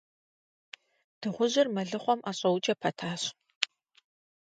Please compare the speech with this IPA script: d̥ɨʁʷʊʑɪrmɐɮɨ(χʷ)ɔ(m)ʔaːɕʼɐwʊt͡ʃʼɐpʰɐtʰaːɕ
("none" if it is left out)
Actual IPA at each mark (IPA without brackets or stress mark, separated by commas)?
χʷ, m